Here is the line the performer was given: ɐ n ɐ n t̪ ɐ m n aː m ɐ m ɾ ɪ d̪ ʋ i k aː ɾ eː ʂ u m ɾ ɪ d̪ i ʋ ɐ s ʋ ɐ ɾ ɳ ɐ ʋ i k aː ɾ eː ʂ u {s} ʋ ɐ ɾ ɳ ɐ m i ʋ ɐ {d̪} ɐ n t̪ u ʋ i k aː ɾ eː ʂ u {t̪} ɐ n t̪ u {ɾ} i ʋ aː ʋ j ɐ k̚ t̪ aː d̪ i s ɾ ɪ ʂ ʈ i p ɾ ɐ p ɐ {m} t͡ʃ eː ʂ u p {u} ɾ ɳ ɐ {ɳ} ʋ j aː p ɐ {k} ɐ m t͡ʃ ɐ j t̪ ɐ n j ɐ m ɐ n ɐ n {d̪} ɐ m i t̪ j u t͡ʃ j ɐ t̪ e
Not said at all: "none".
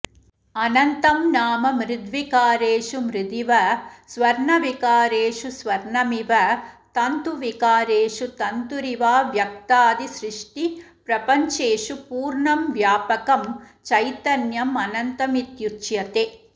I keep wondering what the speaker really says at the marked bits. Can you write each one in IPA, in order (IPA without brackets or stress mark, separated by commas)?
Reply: s, t̪, t̪, ɾ, ɲ, uː, m, k, t̪